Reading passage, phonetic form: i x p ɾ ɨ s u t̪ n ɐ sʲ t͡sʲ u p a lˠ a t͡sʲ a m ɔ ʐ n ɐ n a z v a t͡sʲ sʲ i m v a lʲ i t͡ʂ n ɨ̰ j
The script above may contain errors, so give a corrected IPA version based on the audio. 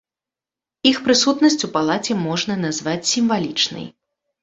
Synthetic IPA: i x p ɾ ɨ s u t̪ n ɐ sʲ t͡sʲ u p a lˠ a t͡sʲ ɛ m ɔ ʐ n ɐ n a z v a t͡sʲ sʲ i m v a lʲ i t͡ʂ n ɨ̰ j